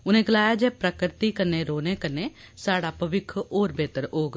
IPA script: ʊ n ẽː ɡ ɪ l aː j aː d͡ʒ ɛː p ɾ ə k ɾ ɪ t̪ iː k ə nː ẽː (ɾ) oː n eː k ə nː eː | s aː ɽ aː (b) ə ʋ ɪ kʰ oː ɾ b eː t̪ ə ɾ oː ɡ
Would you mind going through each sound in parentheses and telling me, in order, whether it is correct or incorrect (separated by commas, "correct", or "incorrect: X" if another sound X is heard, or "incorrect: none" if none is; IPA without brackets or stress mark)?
correct, incorrect: p